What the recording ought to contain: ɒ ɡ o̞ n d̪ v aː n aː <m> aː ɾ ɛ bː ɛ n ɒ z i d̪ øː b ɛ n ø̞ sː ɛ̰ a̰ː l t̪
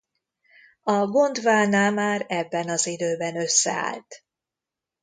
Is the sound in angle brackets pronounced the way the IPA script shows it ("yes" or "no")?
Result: yes